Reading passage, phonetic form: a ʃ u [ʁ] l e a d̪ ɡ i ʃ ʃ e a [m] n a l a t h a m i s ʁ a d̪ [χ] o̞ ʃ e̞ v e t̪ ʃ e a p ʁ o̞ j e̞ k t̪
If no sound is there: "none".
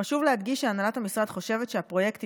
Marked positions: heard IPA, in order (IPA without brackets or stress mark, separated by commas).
v, none, χ